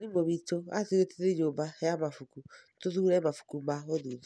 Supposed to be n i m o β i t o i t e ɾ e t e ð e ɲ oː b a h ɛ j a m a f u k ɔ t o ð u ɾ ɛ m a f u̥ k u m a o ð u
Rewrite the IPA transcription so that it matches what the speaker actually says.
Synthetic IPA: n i m o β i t o a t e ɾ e t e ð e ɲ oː b a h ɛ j a m a f u k u t o ð u ɾ ɛ m a f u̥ k u m a o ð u

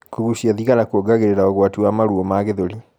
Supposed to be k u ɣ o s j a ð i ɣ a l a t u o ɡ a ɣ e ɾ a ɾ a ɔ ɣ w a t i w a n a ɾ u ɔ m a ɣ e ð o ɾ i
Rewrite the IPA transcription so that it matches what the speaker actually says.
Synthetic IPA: k u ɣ u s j a ð i ɣ a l a k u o ɡ a ɣ e ɾ e ɾ a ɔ ɣ w a t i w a m a ɾ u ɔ m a ɣ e ð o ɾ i

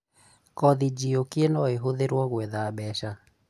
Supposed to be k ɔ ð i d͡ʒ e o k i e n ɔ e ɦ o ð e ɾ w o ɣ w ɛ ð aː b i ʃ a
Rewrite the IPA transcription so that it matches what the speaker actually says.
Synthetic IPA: k ɔ ð i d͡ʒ i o k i e n ɔ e ɦ o ð e ɾ w ɔ ɣ w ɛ ð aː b ɛ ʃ a

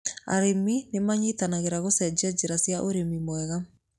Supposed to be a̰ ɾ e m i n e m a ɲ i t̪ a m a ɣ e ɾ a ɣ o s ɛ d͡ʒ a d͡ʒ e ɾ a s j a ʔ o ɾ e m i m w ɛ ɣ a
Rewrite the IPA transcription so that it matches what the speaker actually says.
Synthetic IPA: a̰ ɾ e m i n e m a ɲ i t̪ a n a ɣ e ɾ a ɣ o s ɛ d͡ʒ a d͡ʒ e ɾ a s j a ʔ o ɾ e m i m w ɛ ɣ a

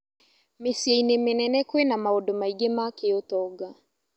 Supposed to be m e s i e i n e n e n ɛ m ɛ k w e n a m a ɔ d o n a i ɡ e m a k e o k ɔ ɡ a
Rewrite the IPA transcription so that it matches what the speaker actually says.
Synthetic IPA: m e s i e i n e m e n ɛ n ɛ k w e n a m a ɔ d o m a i ɡ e m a k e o t ɔ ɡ a

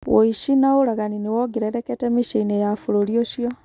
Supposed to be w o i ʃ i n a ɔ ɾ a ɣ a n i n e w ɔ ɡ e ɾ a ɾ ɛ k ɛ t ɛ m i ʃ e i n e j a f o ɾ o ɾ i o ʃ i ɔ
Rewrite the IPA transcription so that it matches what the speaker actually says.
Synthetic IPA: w o i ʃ i n a o ɾ a ɣ a n i n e w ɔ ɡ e ɾ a ɾ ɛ k ɛ t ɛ m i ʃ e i n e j a f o ɾ o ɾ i o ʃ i ɔ

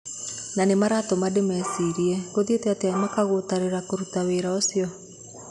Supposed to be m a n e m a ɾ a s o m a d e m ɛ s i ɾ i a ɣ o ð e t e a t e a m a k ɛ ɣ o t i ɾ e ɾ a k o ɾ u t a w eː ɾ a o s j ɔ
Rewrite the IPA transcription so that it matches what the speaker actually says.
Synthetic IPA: n a n e m a ɾ a t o m a d e m ɛ s i ɾ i ɛ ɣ o ð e t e a t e a m a k a ɣ o t a ɾ e ɾ a k o ɾ u t a w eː ɾ a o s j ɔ

